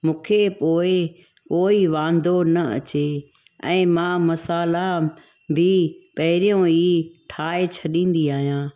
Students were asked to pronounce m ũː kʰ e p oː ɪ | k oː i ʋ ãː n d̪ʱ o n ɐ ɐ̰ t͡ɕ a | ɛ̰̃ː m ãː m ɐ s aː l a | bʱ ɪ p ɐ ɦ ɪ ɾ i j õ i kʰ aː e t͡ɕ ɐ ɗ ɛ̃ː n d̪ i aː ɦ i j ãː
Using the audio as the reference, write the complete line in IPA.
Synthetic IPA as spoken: m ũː kʰ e p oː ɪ | k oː i ʋ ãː n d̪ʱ o n ɐ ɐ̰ t͡ɕ e | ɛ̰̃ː m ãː m ɐ s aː l a | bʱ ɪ p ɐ ɦ ɪ ɾ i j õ i ʈʰ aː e t͡ɕʰ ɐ ɗ ĩː n d̪ i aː ɦ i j ãː